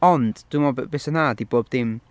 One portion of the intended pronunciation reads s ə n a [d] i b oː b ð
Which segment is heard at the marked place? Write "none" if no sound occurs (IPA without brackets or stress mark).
d